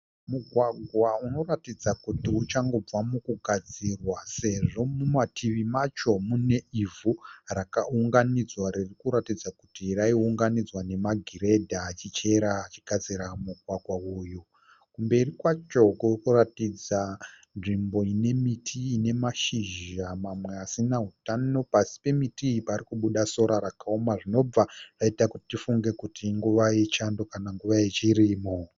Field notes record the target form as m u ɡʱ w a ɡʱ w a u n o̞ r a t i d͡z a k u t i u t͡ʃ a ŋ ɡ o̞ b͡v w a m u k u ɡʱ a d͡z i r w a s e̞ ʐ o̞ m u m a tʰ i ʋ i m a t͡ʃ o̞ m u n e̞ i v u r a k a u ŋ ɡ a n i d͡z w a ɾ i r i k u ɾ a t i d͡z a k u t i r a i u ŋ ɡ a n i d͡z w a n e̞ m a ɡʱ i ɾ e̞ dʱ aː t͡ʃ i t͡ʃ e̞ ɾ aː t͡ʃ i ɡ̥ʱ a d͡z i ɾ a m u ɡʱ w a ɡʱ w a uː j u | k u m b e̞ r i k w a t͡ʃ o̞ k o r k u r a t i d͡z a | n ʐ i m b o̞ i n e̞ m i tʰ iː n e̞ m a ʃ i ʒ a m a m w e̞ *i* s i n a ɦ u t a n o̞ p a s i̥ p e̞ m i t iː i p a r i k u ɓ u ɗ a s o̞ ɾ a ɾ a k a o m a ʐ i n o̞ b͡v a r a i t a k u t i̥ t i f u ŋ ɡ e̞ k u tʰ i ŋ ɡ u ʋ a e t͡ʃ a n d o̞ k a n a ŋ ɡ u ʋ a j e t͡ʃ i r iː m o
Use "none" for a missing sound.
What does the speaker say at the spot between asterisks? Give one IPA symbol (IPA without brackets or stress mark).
a